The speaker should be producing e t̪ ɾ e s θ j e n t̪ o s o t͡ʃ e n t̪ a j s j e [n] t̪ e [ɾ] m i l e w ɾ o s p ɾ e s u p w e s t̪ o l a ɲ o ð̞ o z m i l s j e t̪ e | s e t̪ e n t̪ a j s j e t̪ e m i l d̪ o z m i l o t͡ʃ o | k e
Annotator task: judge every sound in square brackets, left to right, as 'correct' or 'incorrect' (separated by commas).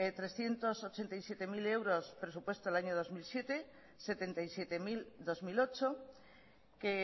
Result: incorrect, incorrect